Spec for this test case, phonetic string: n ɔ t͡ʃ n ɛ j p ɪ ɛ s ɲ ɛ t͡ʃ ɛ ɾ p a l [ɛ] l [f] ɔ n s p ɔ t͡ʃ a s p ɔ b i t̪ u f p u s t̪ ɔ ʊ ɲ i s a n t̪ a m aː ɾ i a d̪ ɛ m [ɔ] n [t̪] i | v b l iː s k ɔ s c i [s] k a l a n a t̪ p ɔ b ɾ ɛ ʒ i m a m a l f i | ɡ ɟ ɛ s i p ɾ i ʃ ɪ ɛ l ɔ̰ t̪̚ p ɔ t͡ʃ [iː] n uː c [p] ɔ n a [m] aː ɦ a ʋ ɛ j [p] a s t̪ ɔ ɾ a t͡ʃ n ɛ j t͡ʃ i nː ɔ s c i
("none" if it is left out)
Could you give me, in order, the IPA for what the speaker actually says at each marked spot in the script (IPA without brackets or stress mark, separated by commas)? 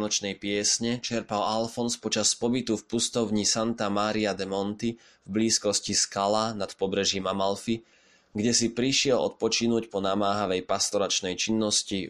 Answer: a, f, ɔ, t̪, s, i, p, m, p